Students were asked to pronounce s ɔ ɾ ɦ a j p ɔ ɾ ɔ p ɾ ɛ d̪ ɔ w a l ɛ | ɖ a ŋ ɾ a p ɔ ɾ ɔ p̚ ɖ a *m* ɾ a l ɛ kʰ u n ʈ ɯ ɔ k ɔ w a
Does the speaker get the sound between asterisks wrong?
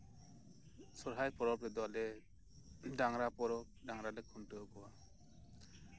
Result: yes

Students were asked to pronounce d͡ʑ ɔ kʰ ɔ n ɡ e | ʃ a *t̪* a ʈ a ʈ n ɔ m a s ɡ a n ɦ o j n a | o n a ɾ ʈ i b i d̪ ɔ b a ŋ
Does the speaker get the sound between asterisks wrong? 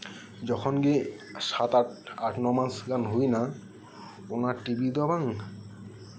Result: no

